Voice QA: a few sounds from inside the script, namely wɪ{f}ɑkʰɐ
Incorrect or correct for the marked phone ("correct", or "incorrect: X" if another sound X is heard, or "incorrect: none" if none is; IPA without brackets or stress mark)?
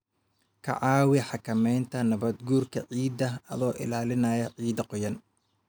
incorrect: ħ